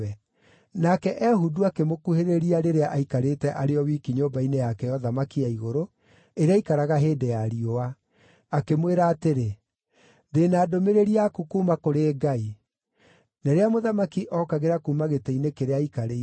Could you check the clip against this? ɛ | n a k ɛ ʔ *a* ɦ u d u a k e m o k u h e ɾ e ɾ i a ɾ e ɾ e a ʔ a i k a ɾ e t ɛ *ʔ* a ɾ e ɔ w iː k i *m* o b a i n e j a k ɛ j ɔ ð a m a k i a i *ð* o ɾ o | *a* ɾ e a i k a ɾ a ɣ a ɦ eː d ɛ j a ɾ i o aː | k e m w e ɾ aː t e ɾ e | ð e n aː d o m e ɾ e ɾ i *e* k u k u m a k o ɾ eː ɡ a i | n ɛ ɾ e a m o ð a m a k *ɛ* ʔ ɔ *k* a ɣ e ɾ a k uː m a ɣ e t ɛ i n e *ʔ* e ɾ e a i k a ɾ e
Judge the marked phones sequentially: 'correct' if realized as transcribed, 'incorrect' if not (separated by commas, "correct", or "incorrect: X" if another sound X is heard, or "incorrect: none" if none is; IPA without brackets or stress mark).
incorrect: ɛ, correct, incorrect: ɲ, incorrect: ɣ, incorrect: e, incorrect: a, incorrect: i, correct, incorrect: k